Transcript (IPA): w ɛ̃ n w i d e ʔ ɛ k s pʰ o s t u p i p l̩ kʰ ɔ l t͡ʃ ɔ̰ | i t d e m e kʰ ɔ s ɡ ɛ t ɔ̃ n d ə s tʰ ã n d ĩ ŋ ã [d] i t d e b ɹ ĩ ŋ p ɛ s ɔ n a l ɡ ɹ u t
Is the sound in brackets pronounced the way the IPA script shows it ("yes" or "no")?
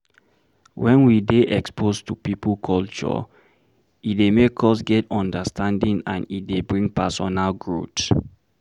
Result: no